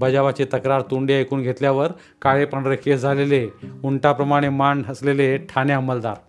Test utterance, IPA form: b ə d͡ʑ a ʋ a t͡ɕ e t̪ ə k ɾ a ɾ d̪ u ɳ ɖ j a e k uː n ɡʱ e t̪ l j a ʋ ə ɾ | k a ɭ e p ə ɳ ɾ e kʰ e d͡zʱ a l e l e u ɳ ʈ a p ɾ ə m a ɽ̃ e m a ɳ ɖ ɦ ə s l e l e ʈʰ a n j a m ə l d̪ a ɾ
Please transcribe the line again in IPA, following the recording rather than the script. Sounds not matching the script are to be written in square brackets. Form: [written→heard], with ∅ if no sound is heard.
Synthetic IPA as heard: b ə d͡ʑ a ʋ a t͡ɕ e t̪ ə k ɾ a ɾ [d̪→t̪] u ɳ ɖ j a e k uː n ɡʱ e t̪ l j a ʋ ə ɾ | k a ɭ e p ə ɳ ɾ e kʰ e d͡zʱ a l e l e u ɳ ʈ a p ɾ ə m a ɽ̃ e m a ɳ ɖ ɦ ə s l e l e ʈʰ a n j a m ə l d̪ a ɾ